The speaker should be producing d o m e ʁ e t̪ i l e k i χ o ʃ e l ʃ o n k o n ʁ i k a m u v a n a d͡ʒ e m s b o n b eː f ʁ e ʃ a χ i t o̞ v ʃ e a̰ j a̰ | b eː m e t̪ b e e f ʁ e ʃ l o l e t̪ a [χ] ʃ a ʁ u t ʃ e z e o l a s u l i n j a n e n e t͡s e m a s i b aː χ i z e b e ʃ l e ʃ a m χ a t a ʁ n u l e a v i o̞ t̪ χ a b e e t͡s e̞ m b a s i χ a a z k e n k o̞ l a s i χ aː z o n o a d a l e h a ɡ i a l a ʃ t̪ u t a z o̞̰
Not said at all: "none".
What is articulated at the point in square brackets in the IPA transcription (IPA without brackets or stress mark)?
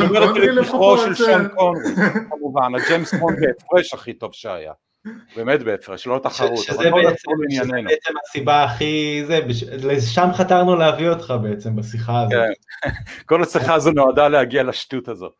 χ